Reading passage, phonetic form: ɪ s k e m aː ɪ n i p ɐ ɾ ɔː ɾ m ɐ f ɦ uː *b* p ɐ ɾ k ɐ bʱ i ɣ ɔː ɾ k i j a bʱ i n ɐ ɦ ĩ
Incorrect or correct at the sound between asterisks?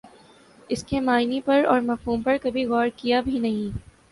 incorrect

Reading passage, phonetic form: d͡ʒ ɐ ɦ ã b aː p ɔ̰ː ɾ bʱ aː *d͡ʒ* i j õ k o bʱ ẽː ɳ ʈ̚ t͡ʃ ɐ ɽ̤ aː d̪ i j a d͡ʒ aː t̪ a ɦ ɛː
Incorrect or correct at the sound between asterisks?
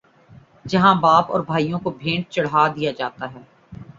incorrect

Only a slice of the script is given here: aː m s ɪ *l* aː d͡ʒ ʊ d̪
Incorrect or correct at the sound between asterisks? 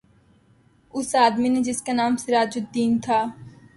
incorrect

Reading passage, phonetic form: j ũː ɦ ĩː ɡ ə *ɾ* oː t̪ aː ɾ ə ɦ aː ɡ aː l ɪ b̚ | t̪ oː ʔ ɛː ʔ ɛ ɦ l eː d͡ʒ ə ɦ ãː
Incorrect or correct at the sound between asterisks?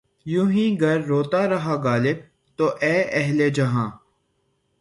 incorrect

